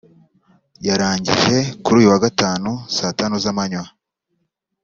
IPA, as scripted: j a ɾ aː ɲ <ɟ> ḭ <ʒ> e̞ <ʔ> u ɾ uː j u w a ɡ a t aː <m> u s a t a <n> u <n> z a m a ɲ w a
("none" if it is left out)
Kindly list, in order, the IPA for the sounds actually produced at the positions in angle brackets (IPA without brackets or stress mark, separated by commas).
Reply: ɟ, ʒ, k, n, n, none